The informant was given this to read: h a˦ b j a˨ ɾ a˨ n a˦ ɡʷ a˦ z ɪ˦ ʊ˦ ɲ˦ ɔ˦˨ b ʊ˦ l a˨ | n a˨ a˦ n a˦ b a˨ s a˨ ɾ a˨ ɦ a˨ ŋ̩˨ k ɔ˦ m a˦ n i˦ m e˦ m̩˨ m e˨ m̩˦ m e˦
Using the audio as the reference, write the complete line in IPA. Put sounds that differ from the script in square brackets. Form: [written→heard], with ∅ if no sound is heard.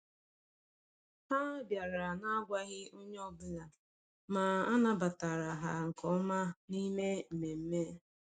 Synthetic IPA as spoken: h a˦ b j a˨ ɾ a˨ n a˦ ɡʷ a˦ [z→ɣ] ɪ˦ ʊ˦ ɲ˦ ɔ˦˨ b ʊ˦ l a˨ | [n→m] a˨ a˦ n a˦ b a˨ [s→t] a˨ ɾ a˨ ɦ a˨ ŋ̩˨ k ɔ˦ m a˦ n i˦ m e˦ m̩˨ m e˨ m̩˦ m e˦